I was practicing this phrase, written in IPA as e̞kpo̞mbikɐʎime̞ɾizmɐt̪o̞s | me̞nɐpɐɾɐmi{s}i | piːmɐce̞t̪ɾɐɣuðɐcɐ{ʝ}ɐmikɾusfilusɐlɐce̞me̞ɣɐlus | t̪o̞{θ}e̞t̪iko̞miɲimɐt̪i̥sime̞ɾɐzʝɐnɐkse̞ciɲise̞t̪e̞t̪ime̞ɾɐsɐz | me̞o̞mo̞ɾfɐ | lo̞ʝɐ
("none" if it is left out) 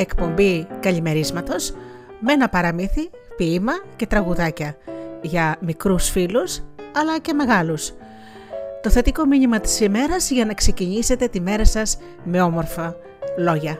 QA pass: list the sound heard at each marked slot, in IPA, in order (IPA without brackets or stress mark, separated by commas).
θ, ʝ, θ